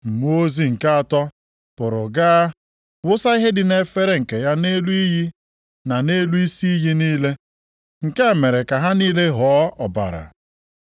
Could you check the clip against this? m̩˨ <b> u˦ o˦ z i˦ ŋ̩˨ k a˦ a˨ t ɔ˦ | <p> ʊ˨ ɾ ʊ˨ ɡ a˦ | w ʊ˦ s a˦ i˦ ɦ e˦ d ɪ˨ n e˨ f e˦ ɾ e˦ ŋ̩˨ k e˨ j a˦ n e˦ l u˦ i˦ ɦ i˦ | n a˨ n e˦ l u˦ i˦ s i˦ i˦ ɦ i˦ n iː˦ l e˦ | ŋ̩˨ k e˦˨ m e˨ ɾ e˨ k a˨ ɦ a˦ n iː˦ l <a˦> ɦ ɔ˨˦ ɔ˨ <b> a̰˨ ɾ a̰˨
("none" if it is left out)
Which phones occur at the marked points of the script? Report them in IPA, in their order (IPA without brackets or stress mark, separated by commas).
m, p, e˦, b